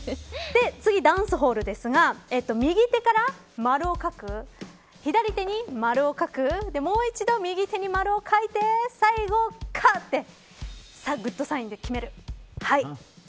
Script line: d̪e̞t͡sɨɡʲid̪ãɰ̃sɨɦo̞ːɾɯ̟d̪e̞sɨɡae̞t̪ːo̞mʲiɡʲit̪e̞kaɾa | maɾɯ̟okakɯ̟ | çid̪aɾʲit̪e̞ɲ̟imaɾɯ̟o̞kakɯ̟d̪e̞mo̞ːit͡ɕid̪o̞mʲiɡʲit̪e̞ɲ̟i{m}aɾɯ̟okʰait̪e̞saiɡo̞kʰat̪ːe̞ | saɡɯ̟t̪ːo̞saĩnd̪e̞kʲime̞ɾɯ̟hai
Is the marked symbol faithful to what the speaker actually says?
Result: yes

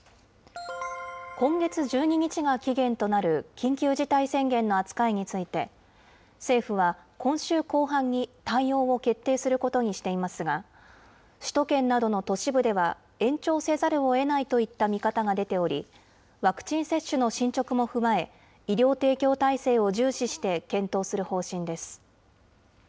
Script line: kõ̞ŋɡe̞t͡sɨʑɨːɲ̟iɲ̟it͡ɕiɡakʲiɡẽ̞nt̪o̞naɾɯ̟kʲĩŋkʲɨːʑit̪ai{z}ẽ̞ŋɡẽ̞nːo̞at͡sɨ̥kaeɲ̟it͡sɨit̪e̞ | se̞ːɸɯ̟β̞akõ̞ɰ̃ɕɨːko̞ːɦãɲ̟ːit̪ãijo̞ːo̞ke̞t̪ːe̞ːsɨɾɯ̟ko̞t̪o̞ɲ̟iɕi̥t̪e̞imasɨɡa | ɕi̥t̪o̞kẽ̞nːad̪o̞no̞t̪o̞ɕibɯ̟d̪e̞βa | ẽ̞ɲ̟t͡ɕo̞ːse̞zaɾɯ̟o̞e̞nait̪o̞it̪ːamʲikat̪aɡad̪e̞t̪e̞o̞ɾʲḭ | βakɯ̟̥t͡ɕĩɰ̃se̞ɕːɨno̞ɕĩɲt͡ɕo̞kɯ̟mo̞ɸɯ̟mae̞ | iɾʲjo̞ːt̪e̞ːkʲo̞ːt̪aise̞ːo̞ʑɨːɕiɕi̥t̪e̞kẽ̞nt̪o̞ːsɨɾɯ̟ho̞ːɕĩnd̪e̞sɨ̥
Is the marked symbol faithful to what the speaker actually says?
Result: no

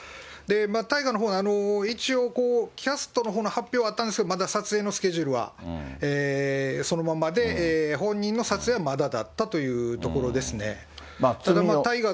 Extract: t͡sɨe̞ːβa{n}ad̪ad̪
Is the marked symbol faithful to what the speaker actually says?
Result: no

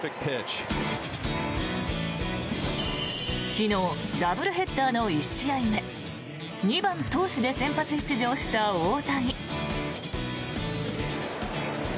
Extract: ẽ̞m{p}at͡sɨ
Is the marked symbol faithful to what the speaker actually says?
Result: yes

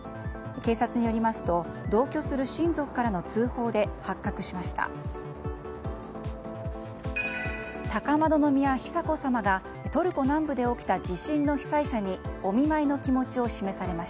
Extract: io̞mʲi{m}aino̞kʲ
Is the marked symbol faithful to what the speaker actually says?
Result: yes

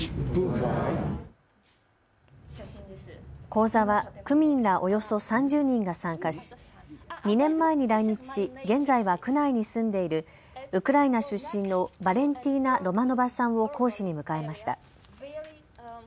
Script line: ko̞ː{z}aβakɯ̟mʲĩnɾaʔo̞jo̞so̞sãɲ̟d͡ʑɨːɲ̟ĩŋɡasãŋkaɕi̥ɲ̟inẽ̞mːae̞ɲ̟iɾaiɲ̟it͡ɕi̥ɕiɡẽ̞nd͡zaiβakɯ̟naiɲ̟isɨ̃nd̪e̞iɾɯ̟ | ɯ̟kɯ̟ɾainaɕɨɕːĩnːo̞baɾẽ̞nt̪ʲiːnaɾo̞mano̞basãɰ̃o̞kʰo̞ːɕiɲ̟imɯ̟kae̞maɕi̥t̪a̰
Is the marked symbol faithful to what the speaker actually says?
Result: yes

